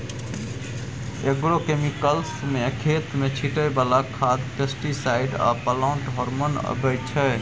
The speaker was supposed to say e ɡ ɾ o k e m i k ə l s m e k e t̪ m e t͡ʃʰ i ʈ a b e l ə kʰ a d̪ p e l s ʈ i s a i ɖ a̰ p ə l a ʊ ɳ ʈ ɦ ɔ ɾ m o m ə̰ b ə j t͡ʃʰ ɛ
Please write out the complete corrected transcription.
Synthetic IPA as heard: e ɡ ɾ o k e m i k ə l s m e kʰ e t̪ m e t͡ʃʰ i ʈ ə b a l a kʰ a d̪ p e s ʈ i s a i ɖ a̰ p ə l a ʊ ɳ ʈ ɦ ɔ ɾ m o n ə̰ b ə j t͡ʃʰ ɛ

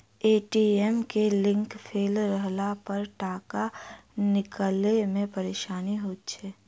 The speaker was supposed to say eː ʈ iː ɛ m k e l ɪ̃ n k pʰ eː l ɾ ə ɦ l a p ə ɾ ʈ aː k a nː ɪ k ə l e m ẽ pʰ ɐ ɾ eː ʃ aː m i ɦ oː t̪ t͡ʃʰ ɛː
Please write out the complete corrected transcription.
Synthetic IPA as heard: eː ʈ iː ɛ m k e l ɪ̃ ŋ k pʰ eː l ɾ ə ɦ l a p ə ɾ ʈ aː k a n ɪ k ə l e m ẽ p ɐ ɾ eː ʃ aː n i ɦ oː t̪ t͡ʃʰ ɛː

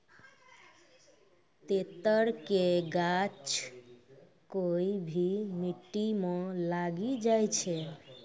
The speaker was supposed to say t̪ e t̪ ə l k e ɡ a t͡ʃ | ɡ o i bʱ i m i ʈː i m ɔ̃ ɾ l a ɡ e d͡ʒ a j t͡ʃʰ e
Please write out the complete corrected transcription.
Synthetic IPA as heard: t̪ e t̪ ə ɾ k e ɡ a t͡ʃ | k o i bʱ i m i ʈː i m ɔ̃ l a ɡ i d͡ʒ a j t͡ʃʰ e

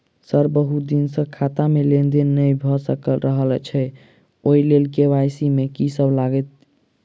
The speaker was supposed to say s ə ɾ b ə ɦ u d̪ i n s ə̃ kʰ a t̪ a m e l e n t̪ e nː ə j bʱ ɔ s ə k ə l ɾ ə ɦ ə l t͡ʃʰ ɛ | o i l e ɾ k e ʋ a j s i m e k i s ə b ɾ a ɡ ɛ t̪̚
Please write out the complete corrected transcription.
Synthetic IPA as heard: s ə ɾ b ə ɦ u d̪ i n s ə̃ kʰ a t̪ a m e l e n d̪ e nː ə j bʱ ɔ s ə k ə l ɾ ə ɦ ə l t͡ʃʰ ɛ | o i l e l k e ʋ a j s i m e k i s ə b l a ɡ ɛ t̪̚

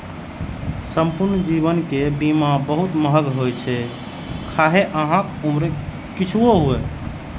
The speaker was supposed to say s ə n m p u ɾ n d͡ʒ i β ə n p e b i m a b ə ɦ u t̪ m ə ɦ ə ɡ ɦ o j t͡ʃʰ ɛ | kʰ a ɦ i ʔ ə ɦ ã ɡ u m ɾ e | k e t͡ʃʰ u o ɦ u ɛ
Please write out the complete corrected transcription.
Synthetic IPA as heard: s ə m p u ɾ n d͡ʒ i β ə n k e b i m a b ə ɦ u t̪ m ə ɦ ə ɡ ɦ o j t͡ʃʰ ɛ | kʰ a ɦ e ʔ ə ɦ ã k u m ɾ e | k i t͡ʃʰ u o ɦ u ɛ

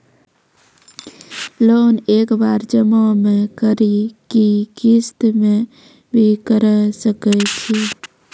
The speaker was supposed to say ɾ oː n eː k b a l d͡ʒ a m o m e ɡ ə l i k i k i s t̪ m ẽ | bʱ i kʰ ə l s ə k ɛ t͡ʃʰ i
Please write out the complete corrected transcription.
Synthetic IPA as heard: l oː n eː k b a ɾ d͡ʒ ə m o m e k ə ɾ i k i k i s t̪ m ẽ | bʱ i k ə ɾ s ə k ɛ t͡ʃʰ i

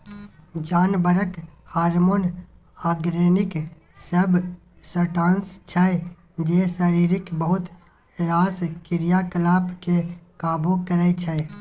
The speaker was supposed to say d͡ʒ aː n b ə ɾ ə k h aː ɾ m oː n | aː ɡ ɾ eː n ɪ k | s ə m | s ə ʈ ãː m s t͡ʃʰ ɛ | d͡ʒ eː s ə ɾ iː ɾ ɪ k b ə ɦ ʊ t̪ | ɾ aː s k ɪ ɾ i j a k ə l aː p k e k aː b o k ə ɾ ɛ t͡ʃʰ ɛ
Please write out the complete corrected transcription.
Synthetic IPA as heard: d͡ʒ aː n b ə ɾ ə k h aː ɾ m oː n | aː ɡ ɾ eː n ɪ k | s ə b | s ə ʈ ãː n s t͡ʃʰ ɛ | d͡ʒ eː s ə ɾ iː ɾ ɪ k b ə ɦ ʊ t̪ | ɾ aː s k ɪ ɾ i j a k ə l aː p k e k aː b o k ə ɾ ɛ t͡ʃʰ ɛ

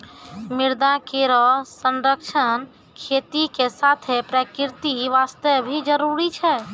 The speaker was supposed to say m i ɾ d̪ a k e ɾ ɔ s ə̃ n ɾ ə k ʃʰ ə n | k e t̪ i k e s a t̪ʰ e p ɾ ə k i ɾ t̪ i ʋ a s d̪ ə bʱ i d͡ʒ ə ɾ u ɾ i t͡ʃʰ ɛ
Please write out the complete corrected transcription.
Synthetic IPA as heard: m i ɾ d̪ a k e ɾ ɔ s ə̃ n ɾ ə k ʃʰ ə n | kʰ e t̪ i k e s a t̪ʰ e p ɾ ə k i ɾ t̪ i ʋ a s t̪ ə bʱ i d͡ʒ ə ɾ u ɾ i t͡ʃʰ ɛ

